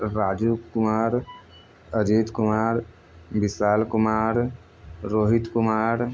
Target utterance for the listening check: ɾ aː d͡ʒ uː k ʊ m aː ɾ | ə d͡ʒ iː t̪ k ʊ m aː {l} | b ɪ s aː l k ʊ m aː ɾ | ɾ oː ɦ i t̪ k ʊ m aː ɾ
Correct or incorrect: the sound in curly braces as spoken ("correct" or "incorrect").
incorrect